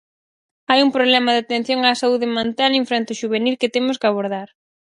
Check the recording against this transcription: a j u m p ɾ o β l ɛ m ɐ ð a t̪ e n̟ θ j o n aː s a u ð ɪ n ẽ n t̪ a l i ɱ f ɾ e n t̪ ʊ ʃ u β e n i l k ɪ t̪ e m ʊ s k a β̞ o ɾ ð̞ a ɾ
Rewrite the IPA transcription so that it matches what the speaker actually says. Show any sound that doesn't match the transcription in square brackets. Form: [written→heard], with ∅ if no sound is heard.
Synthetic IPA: a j u m p ɾ o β l ɛ m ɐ ð a t̪ e n̟ θ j o [n→ŋ] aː s a u ð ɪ [n→m] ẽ n t̪ a l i ɱ f ɾ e n t̪ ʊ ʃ u β e n i l k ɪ t̪ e m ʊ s k a β̞ o ɾ ð̞ a ɾ

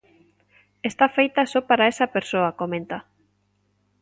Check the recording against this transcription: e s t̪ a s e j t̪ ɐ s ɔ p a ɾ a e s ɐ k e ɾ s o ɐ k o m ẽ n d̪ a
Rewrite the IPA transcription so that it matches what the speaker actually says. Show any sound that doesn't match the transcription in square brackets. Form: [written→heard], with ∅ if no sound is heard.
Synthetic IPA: e s t̪ a [s→f] e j t̪ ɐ s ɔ p a ɾ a e s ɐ [k→p] e ɾ s o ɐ k o m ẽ n [d̪→t̪] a

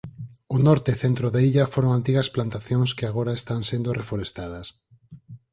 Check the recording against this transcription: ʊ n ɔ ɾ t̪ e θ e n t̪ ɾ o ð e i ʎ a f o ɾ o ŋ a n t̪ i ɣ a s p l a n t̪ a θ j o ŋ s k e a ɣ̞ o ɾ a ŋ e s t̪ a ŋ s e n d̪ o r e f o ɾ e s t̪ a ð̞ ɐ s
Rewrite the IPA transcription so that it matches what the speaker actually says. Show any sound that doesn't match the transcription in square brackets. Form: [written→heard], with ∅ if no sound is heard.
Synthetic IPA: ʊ n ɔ ɾ t̪ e θ e n t̪ ɾ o ð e i ʎ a f o ɾ o ŋ a n t̪ i ɣ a s p l a n t̪ a θ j o ŋ s k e a ɣ̞ o ɾ a [ŋ→∅] e s t̪ a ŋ s e n d̪ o r e f o ɾ e s t̪ a ð̞ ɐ s

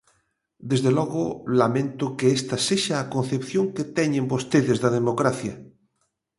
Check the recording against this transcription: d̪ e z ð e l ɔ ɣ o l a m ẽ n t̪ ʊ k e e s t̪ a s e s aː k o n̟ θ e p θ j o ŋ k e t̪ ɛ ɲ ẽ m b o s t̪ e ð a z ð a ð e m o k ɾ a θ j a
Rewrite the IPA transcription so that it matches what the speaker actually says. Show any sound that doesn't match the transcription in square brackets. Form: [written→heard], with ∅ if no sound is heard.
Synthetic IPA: d̪ e z ð e l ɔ ɣ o l a m ẽ n t̪ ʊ k e e s t̪ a s e [s→ʃ] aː k o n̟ θ e p θ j o ŋ k e t̪ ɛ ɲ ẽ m b o s t̪ e ð [a→e] z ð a ð e m o k ɾ a θ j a

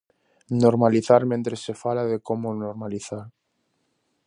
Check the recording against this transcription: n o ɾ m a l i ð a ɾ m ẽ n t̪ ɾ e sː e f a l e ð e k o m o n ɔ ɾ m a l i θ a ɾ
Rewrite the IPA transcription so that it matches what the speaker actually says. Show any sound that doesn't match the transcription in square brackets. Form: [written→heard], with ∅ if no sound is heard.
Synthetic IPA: n o ɾ m a l i [ð→θ] a ɾ m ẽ n t̪ ɾ e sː e f a l [e→a] ð e k o m o n [ɔ→o] ɾ m a l i θ a ɾ

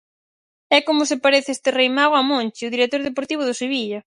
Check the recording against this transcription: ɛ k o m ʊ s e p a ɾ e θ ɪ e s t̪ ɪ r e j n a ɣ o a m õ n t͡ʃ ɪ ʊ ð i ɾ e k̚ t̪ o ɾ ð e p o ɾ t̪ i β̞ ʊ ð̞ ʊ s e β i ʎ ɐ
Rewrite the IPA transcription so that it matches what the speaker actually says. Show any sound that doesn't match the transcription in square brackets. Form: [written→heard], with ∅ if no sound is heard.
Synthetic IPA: ɛ k o m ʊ s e p a ɾ e θ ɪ e s t̪ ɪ r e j [n→m] a ɣ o a m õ n t͡ʃ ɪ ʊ ð i ɾ e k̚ t̪ o ɾ ð e p o ɾ t̪ i β̞ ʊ ð̞ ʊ s e β i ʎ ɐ

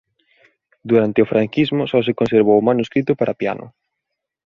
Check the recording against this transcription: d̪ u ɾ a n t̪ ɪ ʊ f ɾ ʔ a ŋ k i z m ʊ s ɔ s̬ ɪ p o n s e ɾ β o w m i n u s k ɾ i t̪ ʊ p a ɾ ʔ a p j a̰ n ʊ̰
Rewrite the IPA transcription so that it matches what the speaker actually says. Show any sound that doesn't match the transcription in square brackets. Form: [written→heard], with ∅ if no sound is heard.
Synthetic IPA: d̪ u ɾ a n t̪ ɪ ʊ f ɾ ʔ a ŋ k i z m ʊ s ɔ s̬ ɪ [p→k] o n s e ɾ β o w m [i→a] n u s k ɾ i t̪ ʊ p a ɾ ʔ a p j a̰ n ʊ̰

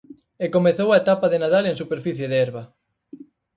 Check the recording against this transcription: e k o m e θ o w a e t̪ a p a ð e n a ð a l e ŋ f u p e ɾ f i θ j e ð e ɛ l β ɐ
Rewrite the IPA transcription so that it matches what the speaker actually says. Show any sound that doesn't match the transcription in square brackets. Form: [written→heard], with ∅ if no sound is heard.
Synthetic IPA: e k o m e θ o w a e t̪ a p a ð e n a ð a l e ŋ [f→s] u p e ɾ f i θ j e ð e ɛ [l→ɾ] β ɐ

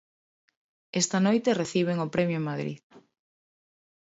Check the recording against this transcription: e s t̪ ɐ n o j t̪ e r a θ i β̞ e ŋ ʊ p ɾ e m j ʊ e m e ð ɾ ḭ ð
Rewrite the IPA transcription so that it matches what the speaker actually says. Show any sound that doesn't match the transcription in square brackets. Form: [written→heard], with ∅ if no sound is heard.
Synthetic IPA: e s t̪ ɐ n o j t̪ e r [a→e] θ i β̞ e ŋ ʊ p ɾ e m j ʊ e m [e→a] ð ɾ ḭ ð

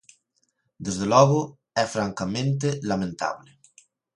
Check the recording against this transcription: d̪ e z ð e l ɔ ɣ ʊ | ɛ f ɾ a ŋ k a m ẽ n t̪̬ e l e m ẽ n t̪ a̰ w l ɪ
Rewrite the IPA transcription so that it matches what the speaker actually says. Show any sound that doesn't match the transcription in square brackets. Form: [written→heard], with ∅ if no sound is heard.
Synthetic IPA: d̪ e z ð e l ɔ ɣ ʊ | ɛ f ɾ a ŋ k a m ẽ n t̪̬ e l [e→a] m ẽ n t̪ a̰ [w→β] l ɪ

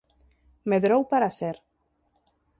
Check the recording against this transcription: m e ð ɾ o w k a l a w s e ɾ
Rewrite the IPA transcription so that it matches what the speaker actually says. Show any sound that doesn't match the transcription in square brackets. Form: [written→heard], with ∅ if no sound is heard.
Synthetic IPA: m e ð ɾ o w [k→p] a [l→ɾ] a [w→∅] s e ɾ

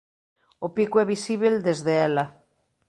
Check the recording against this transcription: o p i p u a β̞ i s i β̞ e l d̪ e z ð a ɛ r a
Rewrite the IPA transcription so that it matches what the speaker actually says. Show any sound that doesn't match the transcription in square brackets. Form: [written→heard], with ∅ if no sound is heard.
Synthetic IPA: o p i [p→k] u [a→ɛ] β̞ i s i β̞ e l d̪ e z ð [a→e] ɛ [r→l] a

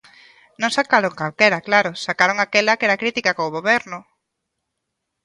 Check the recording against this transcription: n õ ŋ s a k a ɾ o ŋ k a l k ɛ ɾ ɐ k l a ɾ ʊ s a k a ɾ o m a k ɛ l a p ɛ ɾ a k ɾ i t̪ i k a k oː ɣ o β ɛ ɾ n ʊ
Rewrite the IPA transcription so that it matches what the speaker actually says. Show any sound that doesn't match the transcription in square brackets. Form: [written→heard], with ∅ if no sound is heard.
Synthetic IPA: n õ ŋ s a k a ɾ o ŋ k a l k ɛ ɾ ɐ k l a ɾ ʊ s a k a ɾ o [m→ŋ] a k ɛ l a [p→k] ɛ ɾ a k ɾ i t̪ i k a k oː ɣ o β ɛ ɾ n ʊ

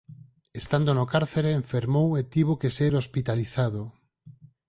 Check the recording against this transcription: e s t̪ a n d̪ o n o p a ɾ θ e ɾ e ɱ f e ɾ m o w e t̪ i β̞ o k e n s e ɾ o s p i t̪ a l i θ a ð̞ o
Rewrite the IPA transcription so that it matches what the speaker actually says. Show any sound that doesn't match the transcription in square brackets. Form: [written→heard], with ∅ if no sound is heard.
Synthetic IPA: e s t̪ a n d̪ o n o [p→k] a ɾ θ e ɾ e ɱ f e ɾ m o w e t̪ i β̞ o k e [n→∅] s e ɾ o s p i t̪ a l i θ a ð̞ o

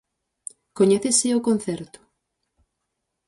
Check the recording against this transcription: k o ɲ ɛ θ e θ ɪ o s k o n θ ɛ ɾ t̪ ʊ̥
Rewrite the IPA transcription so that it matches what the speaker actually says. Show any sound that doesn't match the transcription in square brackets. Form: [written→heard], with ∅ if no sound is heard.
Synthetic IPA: k o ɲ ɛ θ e [θ→s] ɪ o [s→∅] k o n θ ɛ ɾ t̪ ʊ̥

